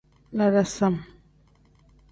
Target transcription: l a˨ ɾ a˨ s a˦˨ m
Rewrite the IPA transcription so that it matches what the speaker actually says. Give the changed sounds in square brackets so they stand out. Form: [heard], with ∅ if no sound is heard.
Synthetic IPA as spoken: l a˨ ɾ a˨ s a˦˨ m